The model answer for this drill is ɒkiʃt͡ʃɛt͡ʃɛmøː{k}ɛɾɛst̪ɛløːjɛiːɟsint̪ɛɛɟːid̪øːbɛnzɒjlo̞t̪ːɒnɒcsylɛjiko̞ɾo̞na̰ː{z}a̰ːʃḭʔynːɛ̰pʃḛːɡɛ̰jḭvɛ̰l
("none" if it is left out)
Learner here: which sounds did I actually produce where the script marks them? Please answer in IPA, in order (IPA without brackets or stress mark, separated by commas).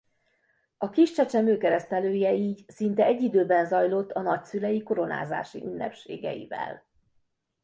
k, z